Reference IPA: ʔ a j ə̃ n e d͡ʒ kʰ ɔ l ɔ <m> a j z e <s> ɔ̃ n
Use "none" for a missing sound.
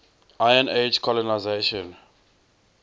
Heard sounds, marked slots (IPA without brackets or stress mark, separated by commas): n, ʃ